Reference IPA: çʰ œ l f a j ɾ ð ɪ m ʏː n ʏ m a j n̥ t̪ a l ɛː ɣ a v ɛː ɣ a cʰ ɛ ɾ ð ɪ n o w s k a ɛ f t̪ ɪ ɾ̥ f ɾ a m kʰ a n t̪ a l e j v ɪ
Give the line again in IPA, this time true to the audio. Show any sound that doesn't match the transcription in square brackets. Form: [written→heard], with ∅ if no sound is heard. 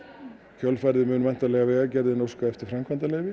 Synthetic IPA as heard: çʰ œ l f a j ɾ ð ɪ m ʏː n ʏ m a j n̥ t̪ a l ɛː ɣ a v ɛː ɣ a [cʰ→c] ɛ ɾ ð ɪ n o w s k a ɛ f t̪ ɪ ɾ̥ f ɾ a m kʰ a n t̪ a l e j v ɪ